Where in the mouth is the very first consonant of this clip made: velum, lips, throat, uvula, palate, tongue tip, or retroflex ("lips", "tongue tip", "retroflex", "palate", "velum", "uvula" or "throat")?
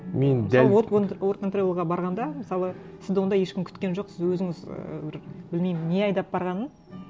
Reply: lips